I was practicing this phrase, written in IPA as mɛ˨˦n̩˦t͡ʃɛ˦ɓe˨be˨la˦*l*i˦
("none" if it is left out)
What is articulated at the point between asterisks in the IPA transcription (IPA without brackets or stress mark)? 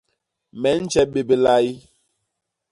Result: none